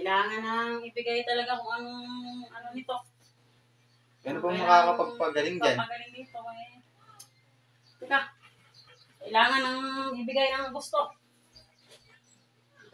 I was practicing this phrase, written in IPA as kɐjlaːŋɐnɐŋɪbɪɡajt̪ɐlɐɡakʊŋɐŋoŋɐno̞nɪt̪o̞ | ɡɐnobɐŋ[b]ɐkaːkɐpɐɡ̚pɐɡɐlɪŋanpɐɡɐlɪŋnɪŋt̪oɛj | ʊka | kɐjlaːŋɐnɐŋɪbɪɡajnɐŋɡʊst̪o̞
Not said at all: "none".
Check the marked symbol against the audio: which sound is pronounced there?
m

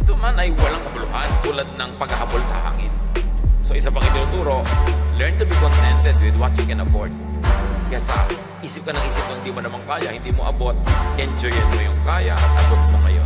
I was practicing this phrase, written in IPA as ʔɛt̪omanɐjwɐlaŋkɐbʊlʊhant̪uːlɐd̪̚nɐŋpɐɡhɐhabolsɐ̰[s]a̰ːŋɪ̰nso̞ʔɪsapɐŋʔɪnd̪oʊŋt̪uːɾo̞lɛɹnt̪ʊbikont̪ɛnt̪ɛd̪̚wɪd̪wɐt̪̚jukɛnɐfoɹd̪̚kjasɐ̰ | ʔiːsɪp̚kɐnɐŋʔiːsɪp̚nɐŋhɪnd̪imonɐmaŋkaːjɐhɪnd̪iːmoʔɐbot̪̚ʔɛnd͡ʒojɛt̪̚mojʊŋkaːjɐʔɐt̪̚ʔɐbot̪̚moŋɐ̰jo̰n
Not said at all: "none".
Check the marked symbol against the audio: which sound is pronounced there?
h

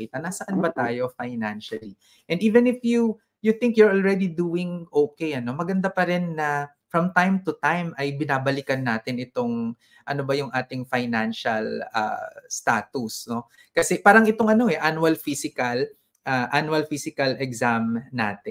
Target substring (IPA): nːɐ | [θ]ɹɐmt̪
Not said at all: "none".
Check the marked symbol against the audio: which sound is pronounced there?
f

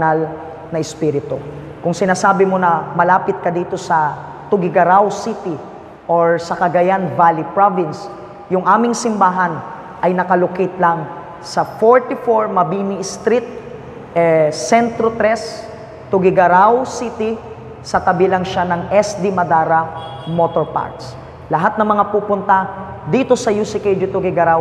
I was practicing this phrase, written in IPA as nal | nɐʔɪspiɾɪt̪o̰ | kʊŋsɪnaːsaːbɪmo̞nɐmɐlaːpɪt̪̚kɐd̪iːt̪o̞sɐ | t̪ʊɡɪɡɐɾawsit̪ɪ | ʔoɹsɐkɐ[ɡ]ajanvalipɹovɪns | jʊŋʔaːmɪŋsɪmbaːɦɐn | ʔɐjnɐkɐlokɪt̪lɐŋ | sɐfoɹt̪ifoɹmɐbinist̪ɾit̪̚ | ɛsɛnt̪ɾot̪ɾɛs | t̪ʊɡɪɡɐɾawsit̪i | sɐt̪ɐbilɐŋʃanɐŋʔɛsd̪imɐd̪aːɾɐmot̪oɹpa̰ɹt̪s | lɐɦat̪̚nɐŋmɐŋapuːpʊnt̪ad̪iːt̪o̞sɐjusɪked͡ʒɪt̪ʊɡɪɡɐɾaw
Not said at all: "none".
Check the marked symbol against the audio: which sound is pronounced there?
ɡ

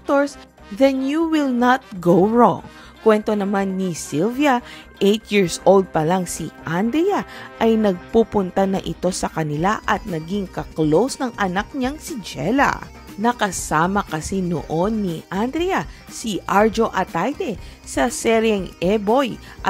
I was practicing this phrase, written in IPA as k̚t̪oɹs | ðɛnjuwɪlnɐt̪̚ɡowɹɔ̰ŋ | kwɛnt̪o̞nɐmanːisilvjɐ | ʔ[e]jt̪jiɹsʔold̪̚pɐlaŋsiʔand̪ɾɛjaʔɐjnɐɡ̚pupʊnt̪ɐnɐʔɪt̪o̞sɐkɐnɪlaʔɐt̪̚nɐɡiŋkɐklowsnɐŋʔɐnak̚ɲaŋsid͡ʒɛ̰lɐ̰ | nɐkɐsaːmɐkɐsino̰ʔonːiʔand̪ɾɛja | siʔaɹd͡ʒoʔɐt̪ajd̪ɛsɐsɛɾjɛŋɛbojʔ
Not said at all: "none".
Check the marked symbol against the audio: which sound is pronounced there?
e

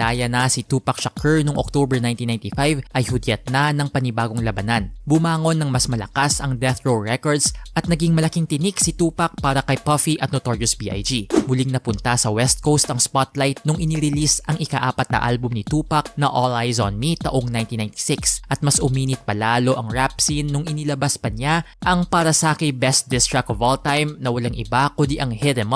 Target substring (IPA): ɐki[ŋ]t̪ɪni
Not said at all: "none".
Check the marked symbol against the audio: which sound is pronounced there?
ŋ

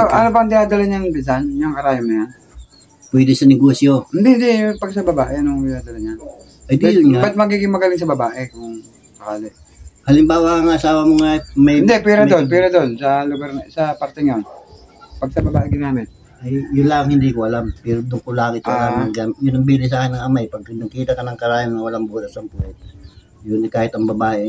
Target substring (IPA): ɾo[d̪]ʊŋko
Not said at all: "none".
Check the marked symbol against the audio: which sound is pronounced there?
d̪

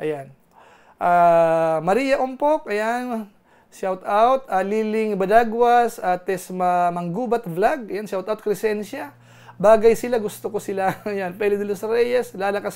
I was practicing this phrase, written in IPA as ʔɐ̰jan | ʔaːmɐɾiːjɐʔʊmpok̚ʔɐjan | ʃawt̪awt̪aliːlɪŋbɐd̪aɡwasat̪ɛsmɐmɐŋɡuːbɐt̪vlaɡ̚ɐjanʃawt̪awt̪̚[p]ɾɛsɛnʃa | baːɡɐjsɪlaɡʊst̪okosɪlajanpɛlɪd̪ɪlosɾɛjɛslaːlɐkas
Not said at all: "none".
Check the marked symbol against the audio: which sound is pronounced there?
k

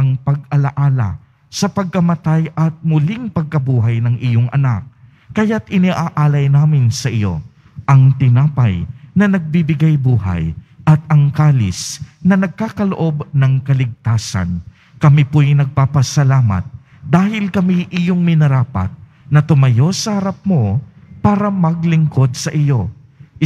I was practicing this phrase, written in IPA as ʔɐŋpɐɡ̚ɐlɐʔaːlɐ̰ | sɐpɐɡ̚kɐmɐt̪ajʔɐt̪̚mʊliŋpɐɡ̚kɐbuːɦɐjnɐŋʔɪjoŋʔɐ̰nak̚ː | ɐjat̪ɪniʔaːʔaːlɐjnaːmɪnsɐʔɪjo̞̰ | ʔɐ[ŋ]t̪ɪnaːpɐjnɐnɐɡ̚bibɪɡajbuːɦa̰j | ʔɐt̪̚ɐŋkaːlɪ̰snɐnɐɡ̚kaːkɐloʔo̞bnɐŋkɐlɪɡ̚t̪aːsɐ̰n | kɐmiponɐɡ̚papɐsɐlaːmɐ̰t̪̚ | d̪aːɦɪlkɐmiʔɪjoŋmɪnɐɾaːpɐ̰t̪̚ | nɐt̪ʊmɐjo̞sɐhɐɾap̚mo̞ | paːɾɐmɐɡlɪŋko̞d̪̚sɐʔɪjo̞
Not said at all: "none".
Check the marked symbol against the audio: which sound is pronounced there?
ŋ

